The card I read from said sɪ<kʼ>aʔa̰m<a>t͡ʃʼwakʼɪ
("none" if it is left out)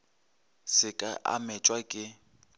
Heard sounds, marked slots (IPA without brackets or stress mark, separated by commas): kʼ, ɛ